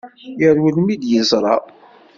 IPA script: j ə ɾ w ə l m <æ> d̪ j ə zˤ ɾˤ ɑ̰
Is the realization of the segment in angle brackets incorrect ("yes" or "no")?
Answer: yes